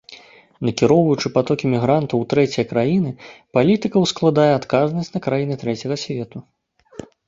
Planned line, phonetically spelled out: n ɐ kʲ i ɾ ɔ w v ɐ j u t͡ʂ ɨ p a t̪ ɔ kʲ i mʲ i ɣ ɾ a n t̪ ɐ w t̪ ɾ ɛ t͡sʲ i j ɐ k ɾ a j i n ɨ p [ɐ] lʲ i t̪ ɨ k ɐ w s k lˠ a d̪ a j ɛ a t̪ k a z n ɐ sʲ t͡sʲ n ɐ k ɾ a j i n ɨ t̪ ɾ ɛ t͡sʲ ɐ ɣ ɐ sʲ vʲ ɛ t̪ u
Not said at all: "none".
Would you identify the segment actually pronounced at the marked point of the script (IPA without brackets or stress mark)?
a